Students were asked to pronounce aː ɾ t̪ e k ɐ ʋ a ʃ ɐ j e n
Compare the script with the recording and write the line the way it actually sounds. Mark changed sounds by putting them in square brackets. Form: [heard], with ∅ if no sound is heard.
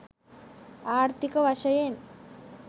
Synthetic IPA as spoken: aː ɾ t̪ [i] k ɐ ʋ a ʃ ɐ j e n

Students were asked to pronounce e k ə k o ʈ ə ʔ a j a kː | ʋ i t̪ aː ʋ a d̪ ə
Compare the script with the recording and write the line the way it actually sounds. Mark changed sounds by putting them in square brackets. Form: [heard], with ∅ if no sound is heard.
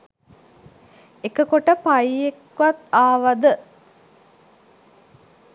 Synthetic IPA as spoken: e k ə k o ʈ ə [p] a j [e] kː | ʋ [a] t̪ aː ʋ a d̪ ə

